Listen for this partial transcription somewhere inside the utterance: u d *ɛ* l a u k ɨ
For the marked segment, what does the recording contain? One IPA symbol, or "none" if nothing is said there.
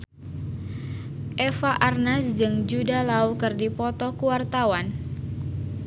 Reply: a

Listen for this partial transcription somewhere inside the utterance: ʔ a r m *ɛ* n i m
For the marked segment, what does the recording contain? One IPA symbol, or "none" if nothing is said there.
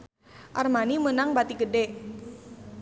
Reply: a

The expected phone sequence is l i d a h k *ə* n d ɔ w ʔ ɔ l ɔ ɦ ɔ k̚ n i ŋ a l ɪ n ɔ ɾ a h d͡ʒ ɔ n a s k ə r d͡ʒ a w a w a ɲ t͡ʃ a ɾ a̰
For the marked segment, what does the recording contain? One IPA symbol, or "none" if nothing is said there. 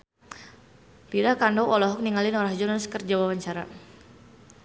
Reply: a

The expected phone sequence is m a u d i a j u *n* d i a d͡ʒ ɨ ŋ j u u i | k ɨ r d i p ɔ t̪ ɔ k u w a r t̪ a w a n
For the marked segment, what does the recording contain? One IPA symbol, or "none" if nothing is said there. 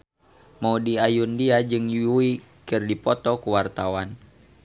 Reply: n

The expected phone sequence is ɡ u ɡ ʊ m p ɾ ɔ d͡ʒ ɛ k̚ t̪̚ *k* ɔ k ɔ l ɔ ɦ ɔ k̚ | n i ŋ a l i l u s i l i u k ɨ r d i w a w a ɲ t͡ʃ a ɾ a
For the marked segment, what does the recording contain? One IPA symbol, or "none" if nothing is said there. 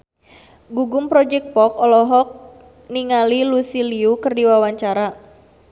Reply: p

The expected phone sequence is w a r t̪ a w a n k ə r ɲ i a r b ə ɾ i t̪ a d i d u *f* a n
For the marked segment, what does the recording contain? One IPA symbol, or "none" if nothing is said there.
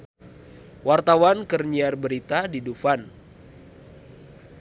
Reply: f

